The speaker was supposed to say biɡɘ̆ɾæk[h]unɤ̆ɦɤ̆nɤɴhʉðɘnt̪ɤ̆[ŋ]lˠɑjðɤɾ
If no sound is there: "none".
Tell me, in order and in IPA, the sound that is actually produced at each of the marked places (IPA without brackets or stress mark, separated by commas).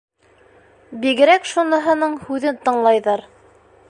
ʃ, ɴ